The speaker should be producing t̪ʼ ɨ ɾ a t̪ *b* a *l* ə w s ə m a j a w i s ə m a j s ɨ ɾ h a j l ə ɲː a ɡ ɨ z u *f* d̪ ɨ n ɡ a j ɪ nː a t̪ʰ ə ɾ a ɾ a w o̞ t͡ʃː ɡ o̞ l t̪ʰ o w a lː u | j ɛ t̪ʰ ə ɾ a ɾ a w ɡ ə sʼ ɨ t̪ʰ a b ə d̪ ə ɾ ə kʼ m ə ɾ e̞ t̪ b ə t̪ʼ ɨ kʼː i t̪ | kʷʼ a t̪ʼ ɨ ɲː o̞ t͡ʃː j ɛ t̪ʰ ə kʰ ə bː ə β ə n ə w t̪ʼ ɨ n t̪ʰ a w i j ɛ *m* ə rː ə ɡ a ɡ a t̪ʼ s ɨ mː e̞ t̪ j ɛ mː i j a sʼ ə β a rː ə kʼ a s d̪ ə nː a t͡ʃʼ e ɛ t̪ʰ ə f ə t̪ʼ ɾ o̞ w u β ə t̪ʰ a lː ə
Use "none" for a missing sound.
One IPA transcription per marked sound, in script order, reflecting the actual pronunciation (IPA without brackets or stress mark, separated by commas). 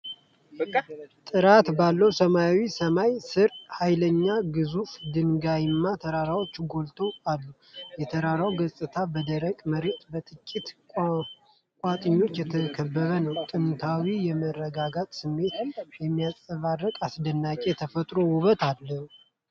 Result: b, lː, f, m